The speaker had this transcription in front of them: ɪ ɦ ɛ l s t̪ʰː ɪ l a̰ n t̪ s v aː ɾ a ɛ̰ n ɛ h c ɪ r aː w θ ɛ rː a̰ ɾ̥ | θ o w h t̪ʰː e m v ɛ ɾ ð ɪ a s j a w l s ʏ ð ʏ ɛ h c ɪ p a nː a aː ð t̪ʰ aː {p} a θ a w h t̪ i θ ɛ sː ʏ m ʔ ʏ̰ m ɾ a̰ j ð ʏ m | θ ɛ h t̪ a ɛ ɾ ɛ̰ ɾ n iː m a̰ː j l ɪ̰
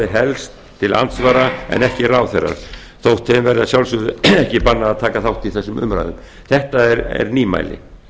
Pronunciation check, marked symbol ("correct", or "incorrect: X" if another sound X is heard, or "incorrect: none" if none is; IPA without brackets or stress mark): incorrect: k